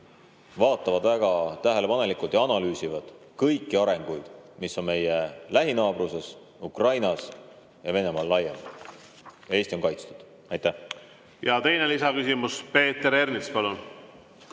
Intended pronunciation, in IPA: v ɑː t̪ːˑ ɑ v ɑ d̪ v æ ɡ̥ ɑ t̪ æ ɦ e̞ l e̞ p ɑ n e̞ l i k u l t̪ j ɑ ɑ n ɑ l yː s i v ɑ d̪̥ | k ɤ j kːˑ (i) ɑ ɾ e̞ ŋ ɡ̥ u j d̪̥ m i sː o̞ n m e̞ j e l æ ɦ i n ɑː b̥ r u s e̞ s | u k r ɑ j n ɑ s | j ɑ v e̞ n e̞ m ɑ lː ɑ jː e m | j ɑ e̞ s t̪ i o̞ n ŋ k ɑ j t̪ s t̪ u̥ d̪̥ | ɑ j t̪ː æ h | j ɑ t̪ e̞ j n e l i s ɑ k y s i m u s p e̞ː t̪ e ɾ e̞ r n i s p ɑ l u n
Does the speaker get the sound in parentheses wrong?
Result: no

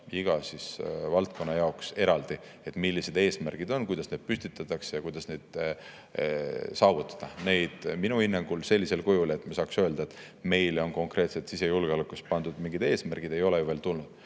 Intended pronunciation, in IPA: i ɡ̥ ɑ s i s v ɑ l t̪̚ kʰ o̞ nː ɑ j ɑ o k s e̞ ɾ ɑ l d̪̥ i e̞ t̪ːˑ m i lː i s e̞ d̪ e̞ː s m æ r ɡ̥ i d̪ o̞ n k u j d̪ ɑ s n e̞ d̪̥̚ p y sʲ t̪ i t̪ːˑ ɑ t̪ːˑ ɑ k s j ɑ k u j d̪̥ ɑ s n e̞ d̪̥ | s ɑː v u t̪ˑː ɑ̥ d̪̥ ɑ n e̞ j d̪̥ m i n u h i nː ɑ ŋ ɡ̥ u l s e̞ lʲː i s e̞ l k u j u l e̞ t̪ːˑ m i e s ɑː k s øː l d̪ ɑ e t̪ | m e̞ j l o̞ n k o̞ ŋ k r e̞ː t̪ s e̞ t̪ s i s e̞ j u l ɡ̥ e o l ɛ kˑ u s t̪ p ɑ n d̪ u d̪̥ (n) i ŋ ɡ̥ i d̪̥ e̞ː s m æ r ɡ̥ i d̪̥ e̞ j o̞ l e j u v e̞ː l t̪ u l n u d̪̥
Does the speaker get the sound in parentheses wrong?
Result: yes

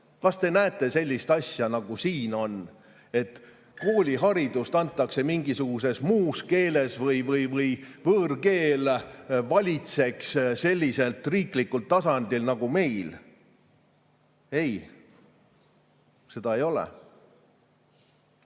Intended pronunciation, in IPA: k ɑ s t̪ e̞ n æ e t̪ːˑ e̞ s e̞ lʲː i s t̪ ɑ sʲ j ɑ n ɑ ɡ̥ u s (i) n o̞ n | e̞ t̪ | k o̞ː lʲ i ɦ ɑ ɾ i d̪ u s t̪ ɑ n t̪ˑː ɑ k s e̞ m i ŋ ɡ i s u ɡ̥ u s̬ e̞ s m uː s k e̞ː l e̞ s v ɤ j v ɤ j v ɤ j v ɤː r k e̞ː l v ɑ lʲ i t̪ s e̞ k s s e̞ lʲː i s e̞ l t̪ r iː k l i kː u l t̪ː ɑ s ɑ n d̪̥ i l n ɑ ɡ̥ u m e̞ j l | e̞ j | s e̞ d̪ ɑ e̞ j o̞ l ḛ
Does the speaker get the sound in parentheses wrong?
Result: yes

